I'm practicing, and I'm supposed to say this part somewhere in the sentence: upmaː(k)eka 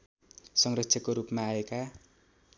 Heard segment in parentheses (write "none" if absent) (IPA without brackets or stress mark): none